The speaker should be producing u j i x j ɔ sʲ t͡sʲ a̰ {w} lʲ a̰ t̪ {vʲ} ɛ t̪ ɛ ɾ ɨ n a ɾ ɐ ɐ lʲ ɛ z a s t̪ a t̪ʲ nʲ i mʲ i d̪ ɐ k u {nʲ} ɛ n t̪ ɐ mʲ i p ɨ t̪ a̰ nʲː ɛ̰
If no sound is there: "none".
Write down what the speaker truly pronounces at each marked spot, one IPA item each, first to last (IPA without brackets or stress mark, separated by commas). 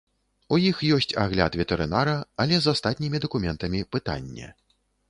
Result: ɣ, vʲ, mʲ